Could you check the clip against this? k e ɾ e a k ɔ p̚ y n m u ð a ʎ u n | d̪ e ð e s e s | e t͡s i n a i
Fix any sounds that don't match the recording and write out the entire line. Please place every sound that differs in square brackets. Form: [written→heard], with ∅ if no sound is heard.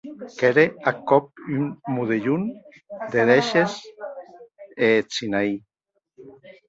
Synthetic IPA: k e ɾ e a k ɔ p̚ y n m u ð [a→e] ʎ u n | d̪ e ð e [s→ʃ] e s | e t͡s i n a i